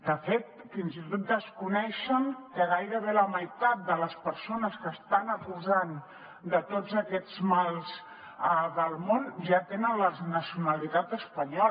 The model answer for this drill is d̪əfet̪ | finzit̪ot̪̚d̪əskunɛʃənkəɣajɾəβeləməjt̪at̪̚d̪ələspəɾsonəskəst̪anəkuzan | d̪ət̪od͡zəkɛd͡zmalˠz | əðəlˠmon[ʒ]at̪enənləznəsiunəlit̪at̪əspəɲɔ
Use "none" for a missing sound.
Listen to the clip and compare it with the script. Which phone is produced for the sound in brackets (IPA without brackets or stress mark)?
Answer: ʒ